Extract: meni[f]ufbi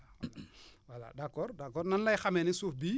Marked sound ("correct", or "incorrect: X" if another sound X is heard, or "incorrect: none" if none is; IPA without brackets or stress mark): incorrect: s